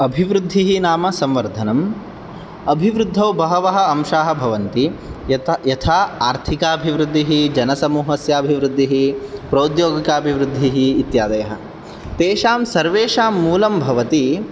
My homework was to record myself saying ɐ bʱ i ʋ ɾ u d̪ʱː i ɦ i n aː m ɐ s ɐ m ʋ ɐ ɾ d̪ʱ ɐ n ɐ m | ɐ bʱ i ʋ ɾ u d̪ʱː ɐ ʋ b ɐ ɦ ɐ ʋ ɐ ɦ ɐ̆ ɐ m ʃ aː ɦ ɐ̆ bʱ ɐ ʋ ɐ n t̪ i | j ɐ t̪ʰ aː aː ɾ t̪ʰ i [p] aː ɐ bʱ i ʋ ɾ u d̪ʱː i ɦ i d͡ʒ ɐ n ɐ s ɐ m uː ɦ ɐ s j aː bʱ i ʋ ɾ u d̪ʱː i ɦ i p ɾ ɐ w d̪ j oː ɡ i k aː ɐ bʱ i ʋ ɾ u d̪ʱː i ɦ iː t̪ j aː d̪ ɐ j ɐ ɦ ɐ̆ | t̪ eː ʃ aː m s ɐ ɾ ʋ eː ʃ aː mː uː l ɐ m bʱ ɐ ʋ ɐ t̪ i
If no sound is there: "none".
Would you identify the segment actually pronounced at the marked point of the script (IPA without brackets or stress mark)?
k